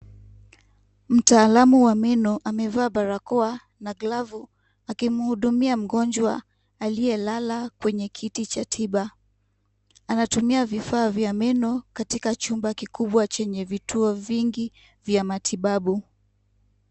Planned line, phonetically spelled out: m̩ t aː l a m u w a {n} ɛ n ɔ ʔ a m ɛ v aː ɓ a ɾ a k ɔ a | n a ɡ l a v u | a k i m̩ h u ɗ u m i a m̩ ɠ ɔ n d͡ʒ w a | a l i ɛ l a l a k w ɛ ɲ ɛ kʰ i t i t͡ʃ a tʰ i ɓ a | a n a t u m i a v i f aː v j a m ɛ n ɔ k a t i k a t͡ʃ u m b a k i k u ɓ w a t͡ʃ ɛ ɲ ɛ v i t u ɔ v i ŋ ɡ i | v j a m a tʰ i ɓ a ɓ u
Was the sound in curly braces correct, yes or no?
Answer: no